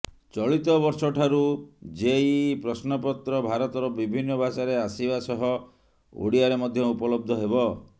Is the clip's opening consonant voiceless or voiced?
voiceless